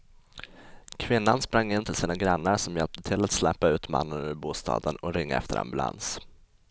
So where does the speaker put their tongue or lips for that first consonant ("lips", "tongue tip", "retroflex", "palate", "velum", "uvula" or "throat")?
velum